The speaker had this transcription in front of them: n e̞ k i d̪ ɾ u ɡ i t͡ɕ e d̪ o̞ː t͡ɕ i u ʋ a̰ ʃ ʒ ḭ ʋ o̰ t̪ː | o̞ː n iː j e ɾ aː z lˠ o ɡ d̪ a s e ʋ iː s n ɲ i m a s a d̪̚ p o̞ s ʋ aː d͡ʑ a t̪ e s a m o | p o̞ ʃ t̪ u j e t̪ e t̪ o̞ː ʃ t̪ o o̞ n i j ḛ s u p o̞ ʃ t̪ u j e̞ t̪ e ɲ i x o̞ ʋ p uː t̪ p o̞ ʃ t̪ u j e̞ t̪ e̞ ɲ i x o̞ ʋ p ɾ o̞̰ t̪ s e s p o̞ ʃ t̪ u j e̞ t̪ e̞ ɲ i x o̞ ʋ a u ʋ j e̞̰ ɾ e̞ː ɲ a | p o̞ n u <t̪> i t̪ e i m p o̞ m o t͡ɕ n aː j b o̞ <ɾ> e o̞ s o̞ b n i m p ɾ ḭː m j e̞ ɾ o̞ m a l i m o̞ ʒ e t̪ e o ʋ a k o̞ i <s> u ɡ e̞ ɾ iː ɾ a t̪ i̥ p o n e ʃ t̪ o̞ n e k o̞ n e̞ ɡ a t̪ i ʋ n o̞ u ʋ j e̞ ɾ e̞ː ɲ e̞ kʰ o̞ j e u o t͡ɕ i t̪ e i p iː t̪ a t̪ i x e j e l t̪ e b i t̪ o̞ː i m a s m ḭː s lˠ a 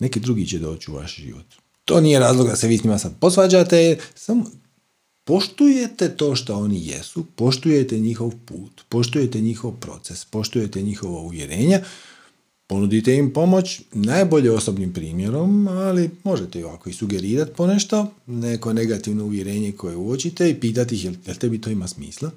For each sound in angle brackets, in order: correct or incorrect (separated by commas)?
incorrect, incorrect, correct